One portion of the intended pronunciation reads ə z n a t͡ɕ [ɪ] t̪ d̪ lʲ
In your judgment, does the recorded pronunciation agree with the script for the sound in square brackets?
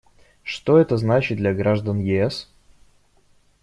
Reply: yes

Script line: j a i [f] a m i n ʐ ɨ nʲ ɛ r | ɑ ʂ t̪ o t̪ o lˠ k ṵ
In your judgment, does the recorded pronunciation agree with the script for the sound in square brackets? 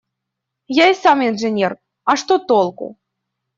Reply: no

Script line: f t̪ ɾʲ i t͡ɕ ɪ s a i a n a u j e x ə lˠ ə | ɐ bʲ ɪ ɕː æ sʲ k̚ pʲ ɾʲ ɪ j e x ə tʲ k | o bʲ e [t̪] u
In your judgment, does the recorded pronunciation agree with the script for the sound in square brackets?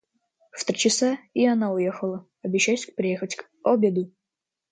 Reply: no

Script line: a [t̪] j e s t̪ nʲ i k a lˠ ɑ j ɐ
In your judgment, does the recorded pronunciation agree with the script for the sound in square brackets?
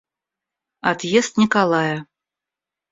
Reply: yes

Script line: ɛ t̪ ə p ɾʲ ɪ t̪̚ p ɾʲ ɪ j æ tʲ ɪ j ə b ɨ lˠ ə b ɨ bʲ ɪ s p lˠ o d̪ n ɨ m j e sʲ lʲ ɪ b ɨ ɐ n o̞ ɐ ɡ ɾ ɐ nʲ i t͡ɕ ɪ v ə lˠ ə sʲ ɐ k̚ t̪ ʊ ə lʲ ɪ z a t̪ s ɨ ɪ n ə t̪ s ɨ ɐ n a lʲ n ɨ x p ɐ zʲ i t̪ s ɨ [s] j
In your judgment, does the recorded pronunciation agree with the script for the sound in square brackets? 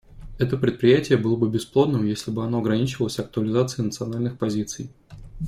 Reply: no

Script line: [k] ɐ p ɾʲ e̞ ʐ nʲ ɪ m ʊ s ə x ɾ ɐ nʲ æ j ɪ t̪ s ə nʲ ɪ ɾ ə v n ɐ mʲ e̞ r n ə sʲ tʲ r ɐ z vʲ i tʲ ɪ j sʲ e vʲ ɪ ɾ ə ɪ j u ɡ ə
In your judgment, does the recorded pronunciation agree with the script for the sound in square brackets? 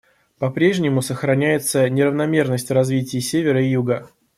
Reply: no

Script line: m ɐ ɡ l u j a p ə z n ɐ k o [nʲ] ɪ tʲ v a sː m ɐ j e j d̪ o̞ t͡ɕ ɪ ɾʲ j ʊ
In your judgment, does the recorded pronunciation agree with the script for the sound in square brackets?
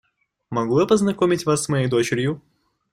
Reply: no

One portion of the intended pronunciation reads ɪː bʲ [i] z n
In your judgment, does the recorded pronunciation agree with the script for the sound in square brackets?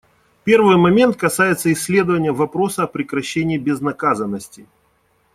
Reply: no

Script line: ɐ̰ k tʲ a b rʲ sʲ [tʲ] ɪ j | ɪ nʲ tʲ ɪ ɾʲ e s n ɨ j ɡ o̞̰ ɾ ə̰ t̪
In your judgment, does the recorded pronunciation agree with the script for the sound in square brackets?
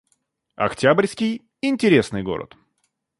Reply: no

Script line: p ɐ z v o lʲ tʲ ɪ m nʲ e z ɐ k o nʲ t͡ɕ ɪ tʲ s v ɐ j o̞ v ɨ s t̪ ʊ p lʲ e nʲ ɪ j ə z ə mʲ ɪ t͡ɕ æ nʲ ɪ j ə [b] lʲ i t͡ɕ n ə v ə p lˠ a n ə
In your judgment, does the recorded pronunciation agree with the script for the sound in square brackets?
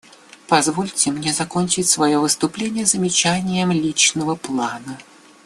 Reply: no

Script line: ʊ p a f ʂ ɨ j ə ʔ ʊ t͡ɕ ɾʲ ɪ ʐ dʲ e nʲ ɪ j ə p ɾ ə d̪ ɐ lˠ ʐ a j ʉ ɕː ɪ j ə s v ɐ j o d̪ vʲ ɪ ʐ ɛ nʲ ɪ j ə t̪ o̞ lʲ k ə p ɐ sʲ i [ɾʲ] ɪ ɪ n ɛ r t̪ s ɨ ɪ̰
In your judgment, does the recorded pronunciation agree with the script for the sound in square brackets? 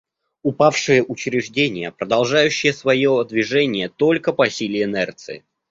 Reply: no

